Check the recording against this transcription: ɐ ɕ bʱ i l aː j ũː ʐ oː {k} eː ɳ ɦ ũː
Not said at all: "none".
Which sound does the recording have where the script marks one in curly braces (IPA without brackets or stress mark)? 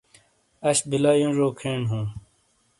kʰ